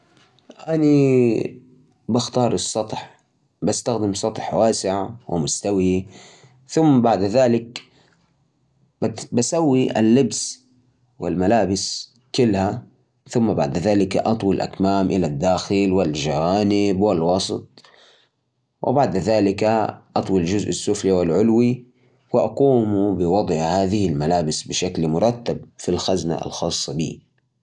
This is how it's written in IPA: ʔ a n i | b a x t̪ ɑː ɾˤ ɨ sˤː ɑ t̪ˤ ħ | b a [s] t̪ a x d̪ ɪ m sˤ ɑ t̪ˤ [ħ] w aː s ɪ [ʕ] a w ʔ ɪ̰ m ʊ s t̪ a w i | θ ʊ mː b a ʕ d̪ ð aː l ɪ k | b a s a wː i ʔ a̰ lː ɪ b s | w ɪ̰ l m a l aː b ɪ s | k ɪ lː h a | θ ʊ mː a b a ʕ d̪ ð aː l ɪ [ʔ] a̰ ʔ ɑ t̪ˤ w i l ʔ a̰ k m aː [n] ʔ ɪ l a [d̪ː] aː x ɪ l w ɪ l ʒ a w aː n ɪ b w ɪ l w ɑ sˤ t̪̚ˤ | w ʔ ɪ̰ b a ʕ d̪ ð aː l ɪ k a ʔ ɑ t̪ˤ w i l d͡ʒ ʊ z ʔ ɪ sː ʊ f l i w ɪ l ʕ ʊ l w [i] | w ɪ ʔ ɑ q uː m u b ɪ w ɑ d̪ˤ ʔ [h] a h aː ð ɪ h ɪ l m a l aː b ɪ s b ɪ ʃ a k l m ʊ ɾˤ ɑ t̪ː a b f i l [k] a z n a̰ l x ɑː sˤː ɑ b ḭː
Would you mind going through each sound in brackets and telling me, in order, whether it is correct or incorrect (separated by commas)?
correct, correct, correct, incorrect, incorrect, correct, correct, correct, incorrect